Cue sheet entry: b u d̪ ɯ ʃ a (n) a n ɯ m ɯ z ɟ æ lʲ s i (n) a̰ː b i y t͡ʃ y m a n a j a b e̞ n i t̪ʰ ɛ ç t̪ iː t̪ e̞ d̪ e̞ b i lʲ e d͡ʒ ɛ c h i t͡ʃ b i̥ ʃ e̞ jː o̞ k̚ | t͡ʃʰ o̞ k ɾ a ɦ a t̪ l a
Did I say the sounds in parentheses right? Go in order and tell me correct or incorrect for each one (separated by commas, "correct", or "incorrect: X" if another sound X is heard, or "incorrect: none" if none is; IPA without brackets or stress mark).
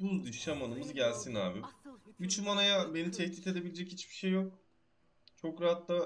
incorrect: m, correct